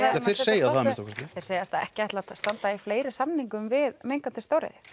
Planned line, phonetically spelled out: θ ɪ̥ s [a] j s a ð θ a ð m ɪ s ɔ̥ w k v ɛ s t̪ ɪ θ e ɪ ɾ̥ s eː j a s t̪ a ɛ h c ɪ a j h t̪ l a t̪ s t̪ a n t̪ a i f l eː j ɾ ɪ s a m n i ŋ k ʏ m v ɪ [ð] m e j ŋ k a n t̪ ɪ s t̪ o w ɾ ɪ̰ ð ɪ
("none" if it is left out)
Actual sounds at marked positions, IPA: e, ð

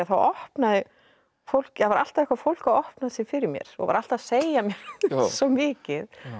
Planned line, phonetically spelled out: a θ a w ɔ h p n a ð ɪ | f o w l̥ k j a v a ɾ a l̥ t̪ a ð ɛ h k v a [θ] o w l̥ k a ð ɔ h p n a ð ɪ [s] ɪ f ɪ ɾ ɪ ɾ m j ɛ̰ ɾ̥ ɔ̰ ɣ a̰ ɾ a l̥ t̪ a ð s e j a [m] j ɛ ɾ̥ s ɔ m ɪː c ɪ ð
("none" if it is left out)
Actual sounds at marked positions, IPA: f, s, m

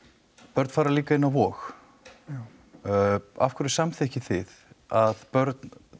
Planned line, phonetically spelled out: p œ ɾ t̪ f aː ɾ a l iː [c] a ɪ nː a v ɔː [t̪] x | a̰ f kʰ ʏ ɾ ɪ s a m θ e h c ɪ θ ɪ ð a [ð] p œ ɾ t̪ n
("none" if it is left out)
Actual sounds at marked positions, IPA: k, none, ð

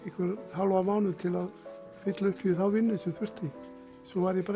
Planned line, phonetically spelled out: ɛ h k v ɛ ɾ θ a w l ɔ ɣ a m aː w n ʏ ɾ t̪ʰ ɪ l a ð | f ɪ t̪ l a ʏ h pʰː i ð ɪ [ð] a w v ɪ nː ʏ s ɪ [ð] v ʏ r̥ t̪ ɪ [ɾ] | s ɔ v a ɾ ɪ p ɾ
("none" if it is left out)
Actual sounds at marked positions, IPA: θ, θ, none

